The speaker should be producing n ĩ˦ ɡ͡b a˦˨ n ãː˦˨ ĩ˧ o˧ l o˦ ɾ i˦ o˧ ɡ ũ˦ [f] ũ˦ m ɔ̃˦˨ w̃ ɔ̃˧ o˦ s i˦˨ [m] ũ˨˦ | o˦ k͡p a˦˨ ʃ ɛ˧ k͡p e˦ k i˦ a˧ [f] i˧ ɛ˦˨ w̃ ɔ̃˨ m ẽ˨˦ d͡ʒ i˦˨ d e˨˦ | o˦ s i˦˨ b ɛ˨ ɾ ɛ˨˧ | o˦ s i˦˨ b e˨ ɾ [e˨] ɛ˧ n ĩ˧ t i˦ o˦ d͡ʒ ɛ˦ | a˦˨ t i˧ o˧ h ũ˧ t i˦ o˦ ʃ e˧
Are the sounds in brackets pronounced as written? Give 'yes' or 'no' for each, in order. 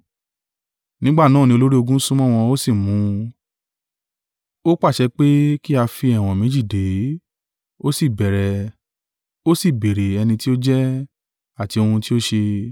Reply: no, yes, yes, yes

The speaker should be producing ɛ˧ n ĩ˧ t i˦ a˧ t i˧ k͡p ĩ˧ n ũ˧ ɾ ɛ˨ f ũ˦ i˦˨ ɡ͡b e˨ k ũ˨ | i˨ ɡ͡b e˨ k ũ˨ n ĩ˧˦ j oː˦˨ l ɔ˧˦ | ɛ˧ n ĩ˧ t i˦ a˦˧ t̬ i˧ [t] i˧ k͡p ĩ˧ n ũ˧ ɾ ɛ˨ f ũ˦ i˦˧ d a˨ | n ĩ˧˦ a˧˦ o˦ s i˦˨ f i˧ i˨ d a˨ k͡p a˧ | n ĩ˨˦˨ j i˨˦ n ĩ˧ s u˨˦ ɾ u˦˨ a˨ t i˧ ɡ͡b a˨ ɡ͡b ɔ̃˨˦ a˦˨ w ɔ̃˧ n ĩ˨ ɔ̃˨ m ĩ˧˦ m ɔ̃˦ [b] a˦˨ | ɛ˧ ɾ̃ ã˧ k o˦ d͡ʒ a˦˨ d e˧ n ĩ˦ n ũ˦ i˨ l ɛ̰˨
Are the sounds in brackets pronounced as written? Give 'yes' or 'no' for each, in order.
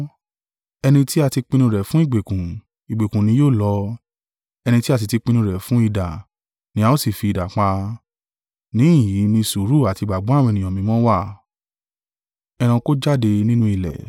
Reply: yes, no

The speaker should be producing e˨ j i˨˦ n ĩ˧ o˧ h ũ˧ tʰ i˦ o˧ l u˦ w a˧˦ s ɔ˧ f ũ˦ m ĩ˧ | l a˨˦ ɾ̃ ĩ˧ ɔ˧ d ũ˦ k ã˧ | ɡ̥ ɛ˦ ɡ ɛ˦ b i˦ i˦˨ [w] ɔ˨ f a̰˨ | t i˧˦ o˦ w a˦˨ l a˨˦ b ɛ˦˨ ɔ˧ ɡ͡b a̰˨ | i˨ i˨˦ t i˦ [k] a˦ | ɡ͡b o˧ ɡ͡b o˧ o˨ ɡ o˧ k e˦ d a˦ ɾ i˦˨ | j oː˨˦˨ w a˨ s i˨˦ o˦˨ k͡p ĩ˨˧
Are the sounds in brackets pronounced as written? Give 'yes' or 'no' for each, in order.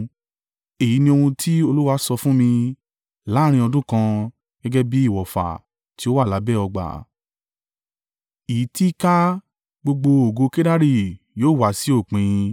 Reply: yes, yes

